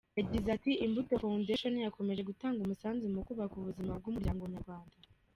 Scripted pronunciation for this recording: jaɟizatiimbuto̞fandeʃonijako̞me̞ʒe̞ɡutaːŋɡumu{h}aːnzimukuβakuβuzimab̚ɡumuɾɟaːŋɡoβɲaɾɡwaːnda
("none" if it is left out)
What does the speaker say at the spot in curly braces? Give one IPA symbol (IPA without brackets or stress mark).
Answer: s